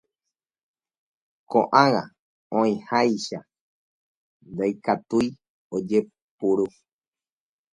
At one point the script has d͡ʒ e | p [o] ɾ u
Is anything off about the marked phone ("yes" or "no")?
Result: yes